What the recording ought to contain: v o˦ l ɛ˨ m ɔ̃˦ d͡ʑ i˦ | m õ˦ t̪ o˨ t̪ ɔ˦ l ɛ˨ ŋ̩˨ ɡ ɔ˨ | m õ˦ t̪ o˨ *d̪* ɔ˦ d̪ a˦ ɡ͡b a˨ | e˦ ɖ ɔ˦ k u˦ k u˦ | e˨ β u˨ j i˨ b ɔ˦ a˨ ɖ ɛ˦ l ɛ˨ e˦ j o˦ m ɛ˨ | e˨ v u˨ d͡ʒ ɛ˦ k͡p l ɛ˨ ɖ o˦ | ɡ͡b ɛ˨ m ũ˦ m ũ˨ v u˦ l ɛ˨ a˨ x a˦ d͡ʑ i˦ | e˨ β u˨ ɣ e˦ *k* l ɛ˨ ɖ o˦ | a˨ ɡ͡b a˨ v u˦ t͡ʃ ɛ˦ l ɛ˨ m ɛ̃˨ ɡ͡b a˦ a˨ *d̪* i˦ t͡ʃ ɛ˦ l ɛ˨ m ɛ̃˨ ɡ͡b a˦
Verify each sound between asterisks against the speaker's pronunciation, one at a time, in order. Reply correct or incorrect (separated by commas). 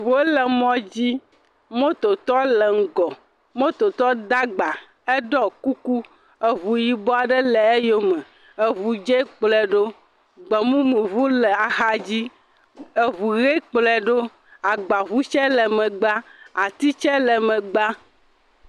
incorrect, incorrect, incorrect